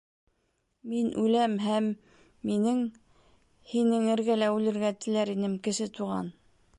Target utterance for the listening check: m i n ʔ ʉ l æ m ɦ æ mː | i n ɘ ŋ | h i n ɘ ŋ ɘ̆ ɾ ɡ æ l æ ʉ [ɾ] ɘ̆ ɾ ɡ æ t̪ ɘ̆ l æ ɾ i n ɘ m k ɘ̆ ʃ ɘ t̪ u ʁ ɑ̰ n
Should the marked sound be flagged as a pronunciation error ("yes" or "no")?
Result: yes